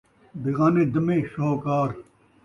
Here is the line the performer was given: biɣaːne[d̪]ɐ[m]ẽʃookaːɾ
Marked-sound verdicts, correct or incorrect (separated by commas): correct, correct